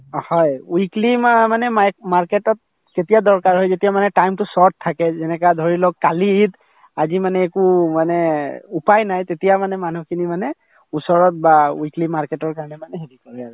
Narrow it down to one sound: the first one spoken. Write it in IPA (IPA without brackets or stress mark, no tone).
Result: h